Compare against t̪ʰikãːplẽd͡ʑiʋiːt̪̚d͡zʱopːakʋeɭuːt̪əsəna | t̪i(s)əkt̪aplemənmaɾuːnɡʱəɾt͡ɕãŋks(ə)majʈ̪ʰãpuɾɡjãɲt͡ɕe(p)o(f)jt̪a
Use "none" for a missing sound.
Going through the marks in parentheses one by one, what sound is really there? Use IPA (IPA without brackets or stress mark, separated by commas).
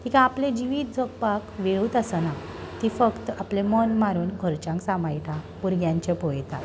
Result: f, a, p, none